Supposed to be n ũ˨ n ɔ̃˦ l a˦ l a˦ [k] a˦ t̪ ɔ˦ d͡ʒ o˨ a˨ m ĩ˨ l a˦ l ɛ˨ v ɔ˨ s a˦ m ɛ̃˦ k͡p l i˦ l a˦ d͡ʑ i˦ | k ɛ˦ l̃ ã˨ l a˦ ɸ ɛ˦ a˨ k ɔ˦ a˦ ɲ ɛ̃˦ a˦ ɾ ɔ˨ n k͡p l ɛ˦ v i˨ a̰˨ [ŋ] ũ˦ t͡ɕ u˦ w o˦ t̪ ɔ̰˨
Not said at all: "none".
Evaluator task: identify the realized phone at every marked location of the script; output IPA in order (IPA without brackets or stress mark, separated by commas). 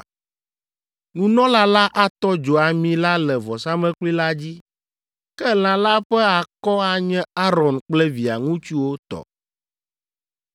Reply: ʔ, ŋ